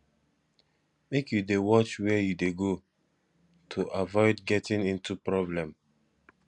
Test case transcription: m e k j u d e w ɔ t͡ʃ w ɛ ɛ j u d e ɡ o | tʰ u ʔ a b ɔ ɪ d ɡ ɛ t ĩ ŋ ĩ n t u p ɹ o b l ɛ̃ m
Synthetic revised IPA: m e k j u d e w ɔ t͡ʃ w ɛ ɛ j u d e ɡ o | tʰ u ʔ a v ɔ ɪ d ɡ ɛ t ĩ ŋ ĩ n t u p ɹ ɔ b l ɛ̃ m